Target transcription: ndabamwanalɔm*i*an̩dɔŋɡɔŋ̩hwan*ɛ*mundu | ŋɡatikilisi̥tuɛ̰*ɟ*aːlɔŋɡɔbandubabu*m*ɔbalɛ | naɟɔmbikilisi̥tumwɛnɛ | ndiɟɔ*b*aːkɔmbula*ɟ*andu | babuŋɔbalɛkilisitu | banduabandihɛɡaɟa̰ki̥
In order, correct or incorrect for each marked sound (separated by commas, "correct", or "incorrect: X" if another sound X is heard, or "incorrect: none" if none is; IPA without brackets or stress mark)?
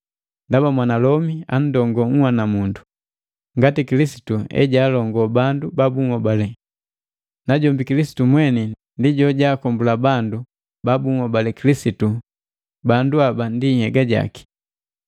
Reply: correct, incorrect: a, correct, incorrect: ŋ, incorrect: ɟ, incorrect: b